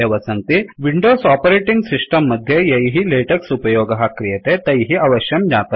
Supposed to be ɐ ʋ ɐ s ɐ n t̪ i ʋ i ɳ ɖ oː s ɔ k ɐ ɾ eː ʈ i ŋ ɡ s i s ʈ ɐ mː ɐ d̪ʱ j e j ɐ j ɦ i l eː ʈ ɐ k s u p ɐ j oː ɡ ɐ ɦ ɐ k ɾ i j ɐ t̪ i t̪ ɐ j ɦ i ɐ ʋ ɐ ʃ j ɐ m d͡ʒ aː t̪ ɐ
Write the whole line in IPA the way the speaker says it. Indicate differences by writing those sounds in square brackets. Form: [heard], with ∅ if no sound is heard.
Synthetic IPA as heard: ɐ ʋ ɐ s ɐ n t̪ i ʋ i ɳ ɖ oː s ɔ [p] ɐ ɾ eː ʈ i ŋ ɡ s i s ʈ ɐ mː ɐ d̪ʱ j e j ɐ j ɦ i l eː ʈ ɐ k s u p ɐ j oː ɡ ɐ ɦ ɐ k ɾ i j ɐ t̪ [e] t̪ ɐ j ɦ i ɐ ʋ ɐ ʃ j ɐ m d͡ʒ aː t̪ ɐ